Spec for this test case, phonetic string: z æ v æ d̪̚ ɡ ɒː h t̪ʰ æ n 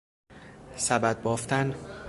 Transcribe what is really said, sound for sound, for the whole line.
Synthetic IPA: s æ b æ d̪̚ b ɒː f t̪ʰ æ n